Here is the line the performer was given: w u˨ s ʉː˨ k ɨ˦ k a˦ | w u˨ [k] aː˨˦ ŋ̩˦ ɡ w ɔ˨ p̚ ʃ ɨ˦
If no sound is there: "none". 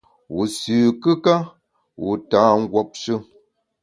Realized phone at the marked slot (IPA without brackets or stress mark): t